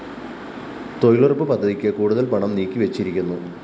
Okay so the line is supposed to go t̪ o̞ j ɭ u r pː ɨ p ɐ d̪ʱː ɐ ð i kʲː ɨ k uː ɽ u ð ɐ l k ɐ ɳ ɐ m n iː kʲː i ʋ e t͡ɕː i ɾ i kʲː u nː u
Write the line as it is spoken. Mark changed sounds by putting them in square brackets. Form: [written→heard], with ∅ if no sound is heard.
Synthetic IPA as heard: t̪ o̞ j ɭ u r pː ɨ p ɐ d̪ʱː ɐ ð i kʲː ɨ k uː ɽ u ð ɐ l [k→p] ɐ ɳ ɐ m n iː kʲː i ʋ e t͡ɕː i ɾ i kʲː u nː u